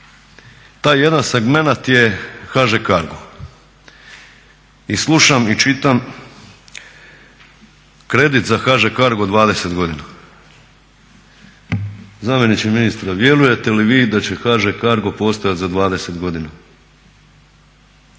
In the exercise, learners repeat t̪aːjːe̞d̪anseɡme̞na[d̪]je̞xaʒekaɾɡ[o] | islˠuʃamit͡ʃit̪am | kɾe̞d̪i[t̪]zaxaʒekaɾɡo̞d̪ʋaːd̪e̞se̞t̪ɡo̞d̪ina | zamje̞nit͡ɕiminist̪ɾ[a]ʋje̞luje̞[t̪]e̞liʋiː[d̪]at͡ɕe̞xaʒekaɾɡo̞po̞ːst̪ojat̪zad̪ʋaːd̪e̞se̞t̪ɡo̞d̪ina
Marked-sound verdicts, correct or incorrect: incorrect: t̪, correct, correct, correct, correct, correct

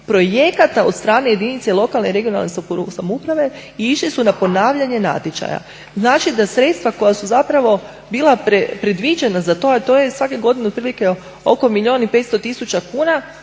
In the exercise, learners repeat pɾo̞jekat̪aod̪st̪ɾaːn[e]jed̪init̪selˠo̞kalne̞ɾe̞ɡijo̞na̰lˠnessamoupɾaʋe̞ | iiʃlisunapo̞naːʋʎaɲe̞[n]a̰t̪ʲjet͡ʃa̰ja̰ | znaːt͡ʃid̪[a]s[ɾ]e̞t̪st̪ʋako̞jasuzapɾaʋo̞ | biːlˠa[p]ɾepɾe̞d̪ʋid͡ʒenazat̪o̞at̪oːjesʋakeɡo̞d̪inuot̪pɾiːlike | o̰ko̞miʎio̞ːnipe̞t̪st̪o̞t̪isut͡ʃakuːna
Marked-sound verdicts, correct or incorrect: correct, correct, correct, correct, correct

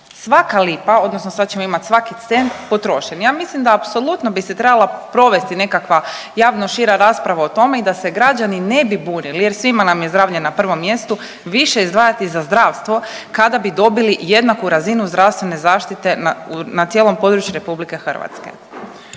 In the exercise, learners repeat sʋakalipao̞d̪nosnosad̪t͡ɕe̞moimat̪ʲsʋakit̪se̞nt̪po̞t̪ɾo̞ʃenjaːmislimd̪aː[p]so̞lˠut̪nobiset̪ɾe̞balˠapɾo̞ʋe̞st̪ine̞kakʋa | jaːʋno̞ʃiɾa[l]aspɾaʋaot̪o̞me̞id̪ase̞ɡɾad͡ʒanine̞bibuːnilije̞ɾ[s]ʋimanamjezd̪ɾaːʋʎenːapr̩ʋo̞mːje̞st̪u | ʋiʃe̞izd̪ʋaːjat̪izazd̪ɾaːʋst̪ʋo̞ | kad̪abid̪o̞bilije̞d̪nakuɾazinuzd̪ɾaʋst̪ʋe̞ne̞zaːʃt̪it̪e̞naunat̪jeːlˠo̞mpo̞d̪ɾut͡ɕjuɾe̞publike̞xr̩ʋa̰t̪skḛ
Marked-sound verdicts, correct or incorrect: correct, incorrect: ɾ, correct

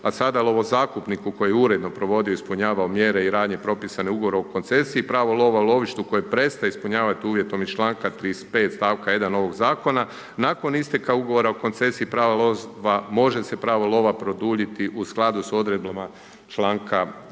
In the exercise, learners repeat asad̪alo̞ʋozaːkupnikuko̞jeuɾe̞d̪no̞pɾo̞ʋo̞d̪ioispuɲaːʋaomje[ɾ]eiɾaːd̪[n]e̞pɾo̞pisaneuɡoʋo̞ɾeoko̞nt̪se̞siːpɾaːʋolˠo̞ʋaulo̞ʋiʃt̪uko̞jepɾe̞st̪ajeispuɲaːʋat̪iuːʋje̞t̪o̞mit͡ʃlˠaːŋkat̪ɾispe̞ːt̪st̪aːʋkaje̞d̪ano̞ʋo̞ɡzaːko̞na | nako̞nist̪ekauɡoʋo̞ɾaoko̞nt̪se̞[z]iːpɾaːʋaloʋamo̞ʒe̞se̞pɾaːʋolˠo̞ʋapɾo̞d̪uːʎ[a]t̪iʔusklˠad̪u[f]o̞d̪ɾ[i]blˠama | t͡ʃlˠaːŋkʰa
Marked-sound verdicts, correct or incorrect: correct, incorrect: ɲ, incorrect: s, incorrect: i, incorrect: s, incorrect: e

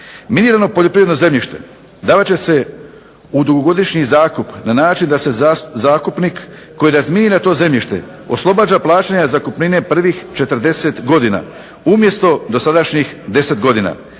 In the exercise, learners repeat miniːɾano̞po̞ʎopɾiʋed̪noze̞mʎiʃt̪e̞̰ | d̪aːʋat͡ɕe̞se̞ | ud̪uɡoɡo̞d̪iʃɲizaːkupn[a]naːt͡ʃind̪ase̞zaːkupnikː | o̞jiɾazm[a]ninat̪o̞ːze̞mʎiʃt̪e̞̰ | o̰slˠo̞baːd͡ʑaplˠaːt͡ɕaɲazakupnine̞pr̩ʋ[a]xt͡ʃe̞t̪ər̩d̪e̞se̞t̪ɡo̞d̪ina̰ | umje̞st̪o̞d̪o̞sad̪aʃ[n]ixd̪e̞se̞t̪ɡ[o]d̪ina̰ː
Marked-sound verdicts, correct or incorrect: correct, incorrect: i, incorrect: i, incorrect: ɲ, correct

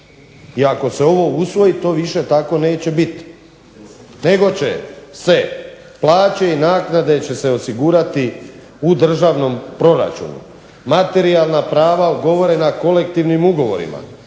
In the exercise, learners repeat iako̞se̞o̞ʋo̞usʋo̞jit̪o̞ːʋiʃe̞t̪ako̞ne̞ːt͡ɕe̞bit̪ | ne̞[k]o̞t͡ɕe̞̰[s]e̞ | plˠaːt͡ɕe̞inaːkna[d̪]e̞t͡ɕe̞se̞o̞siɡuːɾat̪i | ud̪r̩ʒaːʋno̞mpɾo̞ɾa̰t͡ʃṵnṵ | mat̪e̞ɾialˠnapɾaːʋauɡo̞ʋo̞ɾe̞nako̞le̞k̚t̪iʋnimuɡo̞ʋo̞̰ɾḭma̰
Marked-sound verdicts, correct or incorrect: incorrect: ɡ, correct, correct

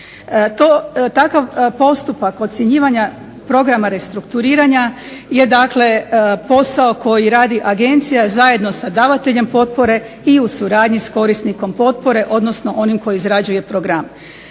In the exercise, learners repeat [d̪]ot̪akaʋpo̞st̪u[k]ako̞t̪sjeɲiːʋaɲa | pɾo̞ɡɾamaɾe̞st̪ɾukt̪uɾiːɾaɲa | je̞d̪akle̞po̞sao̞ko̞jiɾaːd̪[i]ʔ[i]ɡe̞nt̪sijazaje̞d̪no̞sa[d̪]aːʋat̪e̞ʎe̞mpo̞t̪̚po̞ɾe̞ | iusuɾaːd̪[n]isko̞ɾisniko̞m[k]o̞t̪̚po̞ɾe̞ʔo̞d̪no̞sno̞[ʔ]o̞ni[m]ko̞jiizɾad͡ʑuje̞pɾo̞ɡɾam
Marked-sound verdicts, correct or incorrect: incorrect: t̪, incorrect: p, correct, incorrect: a, correct, incorrect: ɲ, incorrect: p, correct, correct

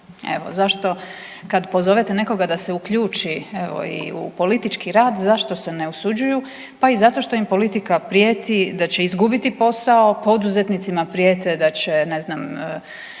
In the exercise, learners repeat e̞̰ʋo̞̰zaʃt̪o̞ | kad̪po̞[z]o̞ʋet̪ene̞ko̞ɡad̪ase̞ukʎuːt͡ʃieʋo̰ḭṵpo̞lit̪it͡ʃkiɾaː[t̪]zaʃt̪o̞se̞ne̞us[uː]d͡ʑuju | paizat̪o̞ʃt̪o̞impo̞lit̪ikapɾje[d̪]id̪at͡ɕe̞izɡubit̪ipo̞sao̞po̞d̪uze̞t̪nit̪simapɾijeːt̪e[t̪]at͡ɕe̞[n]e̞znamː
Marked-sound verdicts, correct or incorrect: correct, incorrect: d̪, incorrect: u, incorrect: t̪, incorrect: d̪, correct

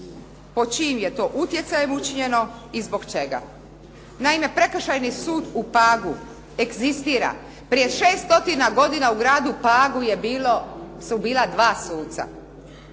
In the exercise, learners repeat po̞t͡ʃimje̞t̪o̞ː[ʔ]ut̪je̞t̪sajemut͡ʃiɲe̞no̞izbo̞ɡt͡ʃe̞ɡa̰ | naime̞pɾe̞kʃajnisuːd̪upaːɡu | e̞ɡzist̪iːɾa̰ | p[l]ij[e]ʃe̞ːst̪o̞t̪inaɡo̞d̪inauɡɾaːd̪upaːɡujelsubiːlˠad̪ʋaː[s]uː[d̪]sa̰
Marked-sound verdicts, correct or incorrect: correct, incorrect: ɾ, correct, correct, incorrect: t̪

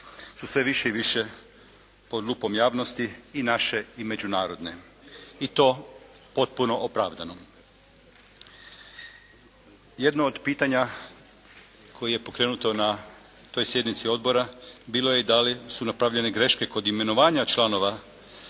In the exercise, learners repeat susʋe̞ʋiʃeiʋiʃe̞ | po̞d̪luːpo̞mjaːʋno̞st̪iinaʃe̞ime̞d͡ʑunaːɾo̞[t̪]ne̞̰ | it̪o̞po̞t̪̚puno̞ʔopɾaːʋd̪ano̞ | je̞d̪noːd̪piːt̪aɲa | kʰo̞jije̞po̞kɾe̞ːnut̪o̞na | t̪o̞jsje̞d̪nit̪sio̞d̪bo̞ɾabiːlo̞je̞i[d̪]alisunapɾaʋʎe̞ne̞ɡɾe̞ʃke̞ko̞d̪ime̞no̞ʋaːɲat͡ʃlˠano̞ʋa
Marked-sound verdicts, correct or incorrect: incorrect: d̪, correct

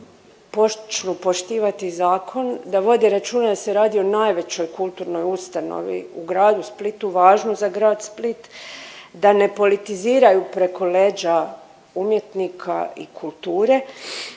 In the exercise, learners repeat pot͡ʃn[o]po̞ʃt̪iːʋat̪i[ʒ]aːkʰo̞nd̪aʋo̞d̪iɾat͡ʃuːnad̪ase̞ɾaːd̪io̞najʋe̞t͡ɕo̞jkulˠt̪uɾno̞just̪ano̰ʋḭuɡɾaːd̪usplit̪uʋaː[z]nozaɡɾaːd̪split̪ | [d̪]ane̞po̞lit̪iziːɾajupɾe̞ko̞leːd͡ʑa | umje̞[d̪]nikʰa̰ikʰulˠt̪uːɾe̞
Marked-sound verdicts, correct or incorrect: incorrect: u, incorrect: z, incorrect: ʒ, correct, incorrect: t̪

